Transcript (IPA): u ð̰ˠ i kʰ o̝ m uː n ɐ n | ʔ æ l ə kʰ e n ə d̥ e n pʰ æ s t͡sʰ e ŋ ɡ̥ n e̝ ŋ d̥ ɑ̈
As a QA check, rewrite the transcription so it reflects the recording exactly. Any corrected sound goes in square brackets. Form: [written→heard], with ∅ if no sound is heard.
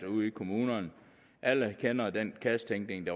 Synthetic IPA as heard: u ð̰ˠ i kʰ o̝ m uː n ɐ n | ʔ æ l ə kʰ e n [ə→ɐ] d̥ e n [pʰ→kʰ] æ s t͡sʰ e ŋ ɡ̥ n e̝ ŋ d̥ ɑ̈

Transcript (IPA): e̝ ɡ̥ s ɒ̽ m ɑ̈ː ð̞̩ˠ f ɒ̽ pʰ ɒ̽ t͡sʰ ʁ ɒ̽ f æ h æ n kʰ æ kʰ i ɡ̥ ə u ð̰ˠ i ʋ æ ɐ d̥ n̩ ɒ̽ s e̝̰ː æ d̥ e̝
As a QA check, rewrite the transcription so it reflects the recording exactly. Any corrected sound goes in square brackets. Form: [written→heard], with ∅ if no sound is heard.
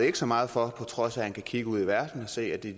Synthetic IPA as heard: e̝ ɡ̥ s ɒ̽ m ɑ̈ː ð̞̩ˠ f ɒ̽ pʰ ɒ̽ t͡sʰ ʁ ɒ̽ [f→s] æ h æ n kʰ æ kʰ i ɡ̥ ə u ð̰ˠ i ʋ æ ɐ d̥ n̩ ɒ̽ s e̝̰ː æ d̥ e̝

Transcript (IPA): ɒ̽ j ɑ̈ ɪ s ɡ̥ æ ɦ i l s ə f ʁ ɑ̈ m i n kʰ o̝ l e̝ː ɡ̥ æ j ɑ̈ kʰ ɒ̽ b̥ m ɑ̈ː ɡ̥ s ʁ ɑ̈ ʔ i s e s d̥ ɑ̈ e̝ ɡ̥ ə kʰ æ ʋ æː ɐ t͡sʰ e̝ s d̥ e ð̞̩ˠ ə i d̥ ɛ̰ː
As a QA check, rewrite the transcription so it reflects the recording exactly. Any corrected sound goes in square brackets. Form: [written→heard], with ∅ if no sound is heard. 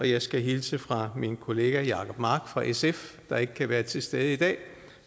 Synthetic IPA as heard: ɒ̽ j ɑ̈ ɪ s ɡ̥ æ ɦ i l s ə f ʁ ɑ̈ m i n kʰ o̝ l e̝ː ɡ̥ æ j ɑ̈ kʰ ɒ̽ b̥ m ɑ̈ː ɡ̥ [s→f] ʁ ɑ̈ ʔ [i→e] s e [s→f] d̥ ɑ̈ e̝ ɡ̥ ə kʰ æ ʋ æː ɐ t͡sʰ e̝ s d̥ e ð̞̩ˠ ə i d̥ ɛ̰ː

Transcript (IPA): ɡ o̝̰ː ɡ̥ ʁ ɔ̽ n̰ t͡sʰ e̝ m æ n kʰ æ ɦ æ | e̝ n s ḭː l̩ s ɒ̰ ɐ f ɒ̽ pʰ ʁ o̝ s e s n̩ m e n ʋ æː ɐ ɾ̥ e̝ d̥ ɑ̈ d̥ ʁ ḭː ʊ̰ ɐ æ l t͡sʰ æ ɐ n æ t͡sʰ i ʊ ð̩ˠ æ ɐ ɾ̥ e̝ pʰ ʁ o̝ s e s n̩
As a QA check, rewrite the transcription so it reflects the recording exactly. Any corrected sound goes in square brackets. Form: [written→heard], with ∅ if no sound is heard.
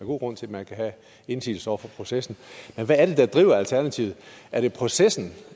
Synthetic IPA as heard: ɡ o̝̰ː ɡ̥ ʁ ɔ̽ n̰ t͡sʰ e̝ m æ n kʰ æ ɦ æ | e̝ n s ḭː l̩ s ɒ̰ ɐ f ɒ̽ pʰ ʁ o̝ s e s n̩ m e n ʋ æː ɐ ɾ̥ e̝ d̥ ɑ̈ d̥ ʁ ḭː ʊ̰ ɐ æ l t͡sʰ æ ɐ n æ t͡sʰ i ʊ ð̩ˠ æ ɐ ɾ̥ e̝ pʰ ʁ o̝ s e s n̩

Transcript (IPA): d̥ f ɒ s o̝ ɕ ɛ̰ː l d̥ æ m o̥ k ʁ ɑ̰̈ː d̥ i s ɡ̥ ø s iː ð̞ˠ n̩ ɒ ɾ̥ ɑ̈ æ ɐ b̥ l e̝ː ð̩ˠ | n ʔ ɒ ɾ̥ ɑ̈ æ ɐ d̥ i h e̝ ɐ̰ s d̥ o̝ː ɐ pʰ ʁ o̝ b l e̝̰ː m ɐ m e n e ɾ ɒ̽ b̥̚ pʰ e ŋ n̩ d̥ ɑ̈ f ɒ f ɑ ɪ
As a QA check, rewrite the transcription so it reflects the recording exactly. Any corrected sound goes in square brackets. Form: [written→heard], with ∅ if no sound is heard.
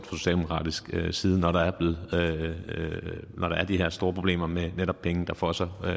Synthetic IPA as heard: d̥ f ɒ s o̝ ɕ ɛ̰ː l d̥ [æ→e] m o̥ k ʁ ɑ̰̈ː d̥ i s ɡ̥ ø s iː ð̞ˠ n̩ ɒ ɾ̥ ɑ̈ æ ɐ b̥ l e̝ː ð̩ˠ | n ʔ ɒ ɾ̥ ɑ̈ æ ɐ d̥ i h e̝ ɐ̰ s d̥ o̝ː ɐ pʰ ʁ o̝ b l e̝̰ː m ɐ m e n e ɾ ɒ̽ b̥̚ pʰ e ŋ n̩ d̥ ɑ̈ f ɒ [f→s] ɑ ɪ

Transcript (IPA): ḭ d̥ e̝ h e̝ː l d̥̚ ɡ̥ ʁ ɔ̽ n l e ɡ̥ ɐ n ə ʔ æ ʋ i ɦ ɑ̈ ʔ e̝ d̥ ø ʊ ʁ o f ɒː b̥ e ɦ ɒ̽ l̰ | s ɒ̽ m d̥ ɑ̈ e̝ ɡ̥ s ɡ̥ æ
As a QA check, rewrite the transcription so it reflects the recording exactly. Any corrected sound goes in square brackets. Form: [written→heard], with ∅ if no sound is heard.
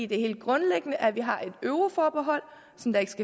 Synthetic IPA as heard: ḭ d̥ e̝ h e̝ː l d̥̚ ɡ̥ ʁ ɔ̽ n l e ɡ̥ [ɐ→ə] n ə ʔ æ ʋ i ɦ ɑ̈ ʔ e̝ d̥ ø ʊ ʁ o f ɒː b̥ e ɦ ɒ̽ l̰ | s ɒ̽ m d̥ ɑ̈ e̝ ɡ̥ s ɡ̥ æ

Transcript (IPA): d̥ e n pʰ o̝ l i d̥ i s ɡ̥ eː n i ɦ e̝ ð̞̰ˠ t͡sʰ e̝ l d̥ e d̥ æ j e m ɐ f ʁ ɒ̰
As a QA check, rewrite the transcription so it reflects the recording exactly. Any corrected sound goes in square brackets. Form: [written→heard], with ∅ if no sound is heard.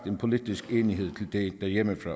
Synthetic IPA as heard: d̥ e n pʰ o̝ l i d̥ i s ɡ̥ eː n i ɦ e̝ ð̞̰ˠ t͡sʰ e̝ l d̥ e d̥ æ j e m [ɐ→ə] f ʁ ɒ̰

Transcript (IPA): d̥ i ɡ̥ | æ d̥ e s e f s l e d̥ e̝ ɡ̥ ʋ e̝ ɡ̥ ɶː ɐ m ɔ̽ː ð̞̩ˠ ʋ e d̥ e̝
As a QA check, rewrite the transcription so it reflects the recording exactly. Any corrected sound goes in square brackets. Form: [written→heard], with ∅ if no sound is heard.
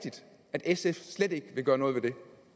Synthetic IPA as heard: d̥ i [ɡ̥→d̥] | æ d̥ e s e f s l e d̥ e̝ ɡ̥ ʋ e̝ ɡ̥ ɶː ɐ [m→n] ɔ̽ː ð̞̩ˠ ʋ e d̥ e̝

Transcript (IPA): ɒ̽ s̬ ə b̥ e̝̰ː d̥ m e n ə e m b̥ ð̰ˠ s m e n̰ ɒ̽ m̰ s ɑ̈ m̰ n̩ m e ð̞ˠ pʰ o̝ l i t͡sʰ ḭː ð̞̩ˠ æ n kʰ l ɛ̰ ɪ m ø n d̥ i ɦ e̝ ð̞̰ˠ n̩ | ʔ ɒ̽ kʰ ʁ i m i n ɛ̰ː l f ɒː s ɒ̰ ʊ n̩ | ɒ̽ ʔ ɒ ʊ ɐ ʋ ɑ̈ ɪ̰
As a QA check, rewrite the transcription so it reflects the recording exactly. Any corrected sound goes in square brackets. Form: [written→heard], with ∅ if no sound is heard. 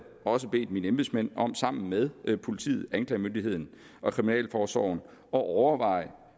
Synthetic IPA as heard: ɒ̽ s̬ ə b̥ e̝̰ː d̥ m [e→i] n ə e m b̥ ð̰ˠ s m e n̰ ɒ̽ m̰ s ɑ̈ m̰ n̩ m e ð̞ˠ pʰ o̝ l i t͡sʰ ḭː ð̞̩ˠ æ n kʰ l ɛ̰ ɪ m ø n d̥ i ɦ e̝ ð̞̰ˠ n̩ | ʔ ɒ̽ kʰ ʁ i m i n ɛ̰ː l f ɒː s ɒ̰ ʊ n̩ | ɒ̽ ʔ ɒ ʊ ɐ ʋ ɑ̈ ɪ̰

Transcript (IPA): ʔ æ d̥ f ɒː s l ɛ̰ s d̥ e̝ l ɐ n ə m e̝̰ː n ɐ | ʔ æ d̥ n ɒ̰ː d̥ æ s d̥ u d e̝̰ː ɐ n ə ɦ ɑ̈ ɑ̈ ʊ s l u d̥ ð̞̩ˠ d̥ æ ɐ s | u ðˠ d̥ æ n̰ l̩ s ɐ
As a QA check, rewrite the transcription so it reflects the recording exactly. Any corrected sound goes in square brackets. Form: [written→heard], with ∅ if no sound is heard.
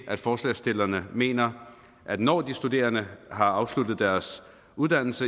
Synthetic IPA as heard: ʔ æ d̥ f ɒː s l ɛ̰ s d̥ e̝ l ɐ n ə m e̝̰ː n ɐ | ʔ æ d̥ n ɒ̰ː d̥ [æ→i] s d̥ u d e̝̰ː ɐ n ə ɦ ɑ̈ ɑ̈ ʊ s l u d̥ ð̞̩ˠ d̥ æ ɐ s | u ðˠ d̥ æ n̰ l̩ s [ɐ→ə]

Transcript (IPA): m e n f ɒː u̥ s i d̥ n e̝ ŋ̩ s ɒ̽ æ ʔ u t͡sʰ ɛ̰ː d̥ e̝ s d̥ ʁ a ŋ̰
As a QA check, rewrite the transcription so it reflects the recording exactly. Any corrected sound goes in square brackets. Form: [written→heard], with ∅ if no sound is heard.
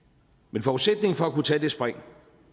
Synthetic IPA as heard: m e n f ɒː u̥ s [i→e] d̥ n e̝ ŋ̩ [s→f] ɒ̽ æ [ʔ→k] u t͡sʰ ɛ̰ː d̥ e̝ s [d̥→b̥] ʁ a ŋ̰

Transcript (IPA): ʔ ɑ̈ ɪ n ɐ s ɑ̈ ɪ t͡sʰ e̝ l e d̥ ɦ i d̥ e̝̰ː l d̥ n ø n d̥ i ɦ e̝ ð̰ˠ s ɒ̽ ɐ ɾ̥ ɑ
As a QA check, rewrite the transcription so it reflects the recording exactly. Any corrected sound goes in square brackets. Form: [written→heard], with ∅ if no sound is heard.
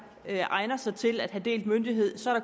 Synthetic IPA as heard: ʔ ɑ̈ ɪ n ɐ s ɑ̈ ɪ t͡sʰ e̝ l [e→æ] d̥ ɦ [i→æ] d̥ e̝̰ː l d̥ [n→m] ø n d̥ i ɦ e̝ ð̰ˠ s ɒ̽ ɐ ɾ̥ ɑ

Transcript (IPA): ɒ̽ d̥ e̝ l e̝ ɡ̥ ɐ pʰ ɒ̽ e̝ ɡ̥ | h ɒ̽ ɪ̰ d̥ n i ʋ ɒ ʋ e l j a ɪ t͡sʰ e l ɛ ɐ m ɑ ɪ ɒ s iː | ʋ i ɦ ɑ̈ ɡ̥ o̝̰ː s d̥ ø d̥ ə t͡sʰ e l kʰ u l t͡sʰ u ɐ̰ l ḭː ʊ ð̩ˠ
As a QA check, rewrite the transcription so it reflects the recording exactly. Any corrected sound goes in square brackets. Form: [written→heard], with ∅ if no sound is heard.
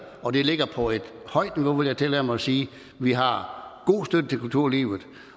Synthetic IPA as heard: ɒ̽ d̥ e̝ l e̝ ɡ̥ ɐ pʰ ɒ̽ e̝ [ɡ̥→d̥] | h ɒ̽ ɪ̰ d̥ n i ʋ [ɒ→o] ʋ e l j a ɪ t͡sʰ e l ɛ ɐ m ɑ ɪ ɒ s iː | ʋ i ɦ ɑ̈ ɡ̥ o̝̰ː s d̥ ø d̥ ə t͡sʰ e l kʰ u l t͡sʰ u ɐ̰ l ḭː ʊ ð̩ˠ

